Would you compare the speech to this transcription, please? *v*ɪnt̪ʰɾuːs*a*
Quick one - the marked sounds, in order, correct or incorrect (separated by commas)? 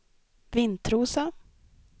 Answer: correct, correct